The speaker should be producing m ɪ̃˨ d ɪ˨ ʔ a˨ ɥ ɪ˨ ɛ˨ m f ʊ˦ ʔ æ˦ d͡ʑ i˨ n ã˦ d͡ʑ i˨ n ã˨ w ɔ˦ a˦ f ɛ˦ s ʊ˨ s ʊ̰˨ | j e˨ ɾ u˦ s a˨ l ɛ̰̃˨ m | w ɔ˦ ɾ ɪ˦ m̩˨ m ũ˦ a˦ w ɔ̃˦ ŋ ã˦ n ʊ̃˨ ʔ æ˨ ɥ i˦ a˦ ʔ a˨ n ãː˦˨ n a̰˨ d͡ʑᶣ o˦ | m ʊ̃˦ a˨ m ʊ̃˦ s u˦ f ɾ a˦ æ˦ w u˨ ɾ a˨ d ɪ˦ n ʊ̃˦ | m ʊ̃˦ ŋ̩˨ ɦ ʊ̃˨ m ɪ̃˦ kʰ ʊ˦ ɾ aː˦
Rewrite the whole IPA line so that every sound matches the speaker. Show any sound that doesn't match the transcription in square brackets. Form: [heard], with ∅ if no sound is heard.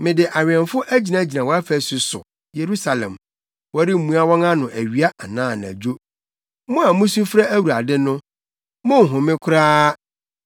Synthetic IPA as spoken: m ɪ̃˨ d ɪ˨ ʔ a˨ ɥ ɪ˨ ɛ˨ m f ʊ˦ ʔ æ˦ d͡ʑ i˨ n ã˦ d͡ʑ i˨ n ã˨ w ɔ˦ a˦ f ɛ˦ s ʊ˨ s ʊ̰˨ | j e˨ ɾ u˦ s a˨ l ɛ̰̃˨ m | w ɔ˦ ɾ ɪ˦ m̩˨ m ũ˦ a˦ w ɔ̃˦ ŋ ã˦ n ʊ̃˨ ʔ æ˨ ɥ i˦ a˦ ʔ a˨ n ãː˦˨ n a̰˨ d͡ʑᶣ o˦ | m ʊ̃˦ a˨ m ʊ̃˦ s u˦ f ɾ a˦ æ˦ w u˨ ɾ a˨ d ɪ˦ n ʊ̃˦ | m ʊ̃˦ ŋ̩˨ ɦ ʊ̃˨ m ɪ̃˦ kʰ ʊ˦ ɾ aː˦

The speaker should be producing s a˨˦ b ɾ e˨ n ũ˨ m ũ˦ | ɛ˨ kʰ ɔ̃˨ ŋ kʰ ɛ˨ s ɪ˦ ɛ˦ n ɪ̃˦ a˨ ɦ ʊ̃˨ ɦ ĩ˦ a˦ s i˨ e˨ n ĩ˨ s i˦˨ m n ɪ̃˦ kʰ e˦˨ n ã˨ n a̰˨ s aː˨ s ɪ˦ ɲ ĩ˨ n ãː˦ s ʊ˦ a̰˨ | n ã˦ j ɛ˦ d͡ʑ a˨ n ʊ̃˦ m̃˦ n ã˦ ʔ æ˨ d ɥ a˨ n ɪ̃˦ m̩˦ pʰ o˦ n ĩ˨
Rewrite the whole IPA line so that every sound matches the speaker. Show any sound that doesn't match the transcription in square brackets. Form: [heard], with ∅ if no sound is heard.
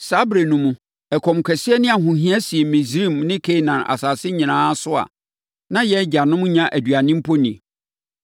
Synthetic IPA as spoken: s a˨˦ b ɾ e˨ n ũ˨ m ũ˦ | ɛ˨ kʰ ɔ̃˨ [m] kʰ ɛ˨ s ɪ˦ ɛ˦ n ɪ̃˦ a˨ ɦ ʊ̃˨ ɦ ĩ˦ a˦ s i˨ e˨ [m] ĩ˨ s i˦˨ m n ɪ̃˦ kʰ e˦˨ n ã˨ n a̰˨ s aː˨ s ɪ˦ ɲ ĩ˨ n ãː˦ s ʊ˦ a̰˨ | n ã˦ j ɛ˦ d͡ʑ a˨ n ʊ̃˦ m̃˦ [ɲ] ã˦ ʔ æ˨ d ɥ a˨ n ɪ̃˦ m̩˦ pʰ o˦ n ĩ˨

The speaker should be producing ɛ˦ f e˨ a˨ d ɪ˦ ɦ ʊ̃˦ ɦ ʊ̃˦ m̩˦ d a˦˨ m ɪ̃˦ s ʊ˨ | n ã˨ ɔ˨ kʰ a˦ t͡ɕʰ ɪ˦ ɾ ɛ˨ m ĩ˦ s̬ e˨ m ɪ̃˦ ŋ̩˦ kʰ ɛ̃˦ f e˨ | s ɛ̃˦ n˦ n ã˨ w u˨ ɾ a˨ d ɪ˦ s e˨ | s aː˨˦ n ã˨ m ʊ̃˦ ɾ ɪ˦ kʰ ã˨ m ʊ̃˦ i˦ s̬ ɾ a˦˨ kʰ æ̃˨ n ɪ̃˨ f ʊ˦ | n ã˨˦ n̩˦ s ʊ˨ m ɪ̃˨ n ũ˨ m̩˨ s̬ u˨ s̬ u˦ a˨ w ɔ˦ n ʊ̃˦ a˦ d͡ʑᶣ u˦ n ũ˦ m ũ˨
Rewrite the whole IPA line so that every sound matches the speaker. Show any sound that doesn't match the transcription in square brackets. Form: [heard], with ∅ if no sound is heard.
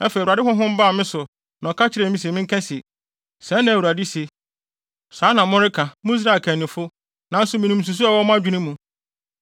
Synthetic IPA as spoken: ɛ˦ f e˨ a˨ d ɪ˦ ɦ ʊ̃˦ ɦ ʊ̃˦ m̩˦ [b] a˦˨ m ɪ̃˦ s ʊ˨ | n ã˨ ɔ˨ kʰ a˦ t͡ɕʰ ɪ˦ ɾ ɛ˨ m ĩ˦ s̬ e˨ m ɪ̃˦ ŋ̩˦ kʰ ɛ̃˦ [s] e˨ | s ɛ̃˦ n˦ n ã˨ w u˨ ɾ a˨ d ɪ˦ s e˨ | s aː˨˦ n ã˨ m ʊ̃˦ ɾ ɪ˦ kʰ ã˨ m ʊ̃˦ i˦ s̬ ɾ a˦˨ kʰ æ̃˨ n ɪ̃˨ f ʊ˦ | n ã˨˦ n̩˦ s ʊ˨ m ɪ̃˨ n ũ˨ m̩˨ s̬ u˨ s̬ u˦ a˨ w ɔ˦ [m] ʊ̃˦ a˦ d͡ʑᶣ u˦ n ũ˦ m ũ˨

